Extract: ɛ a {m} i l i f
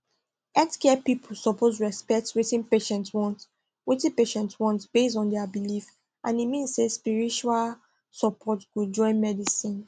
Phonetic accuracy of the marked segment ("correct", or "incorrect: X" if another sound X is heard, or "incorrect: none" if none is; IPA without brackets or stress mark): incorrect: b